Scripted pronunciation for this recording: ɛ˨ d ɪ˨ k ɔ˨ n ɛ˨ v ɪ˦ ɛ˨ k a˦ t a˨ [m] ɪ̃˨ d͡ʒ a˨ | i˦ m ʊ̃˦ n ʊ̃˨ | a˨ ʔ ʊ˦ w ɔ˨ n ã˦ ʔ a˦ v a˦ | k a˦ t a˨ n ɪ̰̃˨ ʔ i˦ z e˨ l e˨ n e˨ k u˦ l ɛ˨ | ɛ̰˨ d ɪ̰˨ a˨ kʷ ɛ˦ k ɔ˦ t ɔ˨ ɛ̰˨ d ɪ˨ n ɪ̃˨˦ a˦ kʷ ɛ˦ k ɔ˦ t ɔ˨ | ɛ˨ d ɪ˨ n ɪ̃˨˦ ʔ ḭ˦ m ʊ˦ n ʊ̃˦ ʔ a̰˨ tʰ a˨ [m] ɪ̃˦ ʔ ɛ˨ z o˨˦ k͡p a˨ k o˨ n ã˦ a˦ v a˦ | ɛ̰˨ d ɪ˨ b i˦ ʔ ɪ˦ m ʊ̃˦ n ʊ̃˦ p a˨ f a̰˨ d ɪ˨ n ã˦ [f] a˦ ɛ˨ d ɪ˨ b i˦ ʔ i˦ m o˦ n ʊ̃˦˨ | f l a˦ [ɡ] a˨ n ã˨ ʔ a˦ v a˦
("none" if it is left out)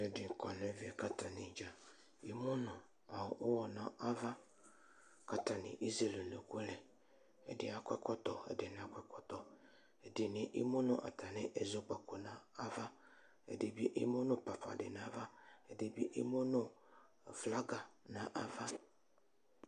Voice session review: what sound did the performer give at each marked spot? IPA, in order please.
n, n, v, ɡ

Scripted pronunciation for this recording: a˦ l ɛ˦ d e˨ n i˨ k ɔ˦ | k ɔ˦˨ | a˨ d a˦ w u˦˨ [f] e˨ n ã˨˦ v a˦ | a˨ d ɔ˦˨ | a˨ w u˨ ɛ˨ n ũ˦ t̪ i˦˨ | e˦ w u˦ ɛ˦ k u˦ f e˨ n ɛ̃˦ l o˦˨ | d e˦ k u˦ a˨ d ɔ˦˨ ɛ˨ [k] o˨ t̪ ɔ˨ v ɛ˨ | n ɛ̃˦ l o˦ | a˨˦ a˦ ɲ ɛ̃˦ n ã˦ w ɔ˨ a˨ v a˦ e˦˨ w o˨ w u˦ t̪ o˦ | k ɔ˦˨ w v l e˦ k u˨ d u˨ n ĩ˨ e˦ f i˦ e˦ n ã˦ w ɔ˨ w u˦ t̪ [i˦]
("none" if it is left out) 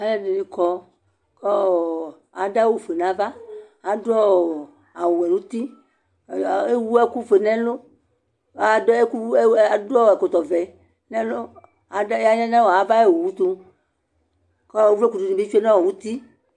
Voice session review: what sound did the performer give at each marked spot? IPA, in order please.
f, k, i˦

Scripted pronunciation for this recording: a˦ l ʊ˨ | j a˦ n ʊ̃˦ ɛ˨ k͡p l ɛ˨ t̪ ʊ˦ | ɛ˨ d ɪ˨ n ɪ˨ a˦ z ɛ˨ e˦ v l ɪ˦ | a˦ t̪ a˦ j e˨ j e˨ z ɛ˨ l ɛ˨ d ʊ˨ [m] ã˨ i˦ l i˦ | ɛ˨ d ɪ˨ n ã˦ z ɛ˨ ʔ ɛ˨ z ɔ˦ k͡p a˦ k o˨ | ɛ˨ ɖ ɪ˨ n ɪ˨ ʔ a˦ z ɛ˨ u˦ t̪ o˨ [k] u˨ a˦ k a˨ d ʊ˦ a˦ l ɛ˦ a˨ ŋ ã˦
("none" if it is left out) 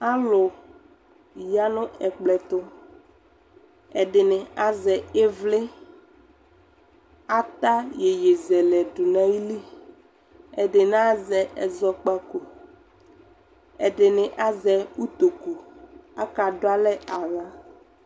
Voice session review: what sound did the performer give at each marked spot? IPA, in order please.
n, k

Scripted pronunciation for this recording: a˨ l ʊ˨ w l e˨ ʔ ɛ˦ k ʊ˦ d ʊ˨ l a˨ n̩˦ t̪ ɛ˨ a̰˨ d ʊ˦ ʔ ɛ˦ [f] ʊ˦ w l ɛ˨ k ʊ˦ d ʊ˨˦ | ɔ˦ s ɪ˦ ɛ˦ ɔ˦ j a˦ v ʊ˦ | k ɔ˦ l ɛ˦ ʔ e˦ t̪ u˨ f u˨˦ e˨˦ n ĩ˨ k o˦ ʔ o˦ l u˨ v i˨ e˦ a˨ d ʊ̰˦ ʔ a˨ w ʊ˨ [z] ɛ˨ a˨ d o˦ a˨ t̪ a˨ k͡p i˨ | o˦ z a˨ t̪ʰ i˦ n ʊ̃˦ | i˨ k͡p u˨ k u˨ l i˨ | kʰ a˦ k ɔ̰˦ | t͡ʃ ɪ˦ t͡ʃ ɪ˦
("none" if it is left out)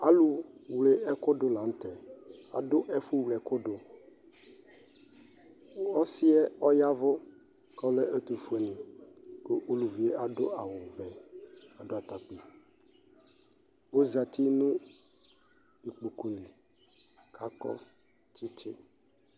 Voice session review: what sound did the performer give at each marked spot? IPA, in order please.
f, v

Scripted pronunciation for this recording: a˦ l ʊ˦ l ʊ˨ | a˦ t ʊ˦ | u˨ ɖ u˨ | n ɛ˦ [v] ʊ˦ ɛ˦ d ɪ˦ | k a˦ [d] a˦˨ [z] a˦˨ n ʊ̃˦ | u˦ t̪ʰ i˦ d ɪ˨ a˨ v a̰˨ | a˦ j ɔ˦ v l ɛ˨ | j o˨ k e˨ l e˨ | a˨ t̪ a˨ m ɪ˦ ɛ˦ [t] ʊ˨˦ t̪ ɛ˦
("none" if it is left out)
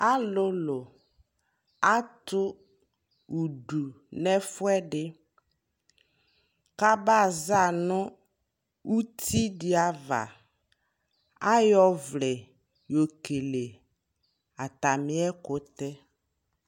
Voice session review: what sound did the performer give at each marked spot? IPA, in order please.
f, b, z, k

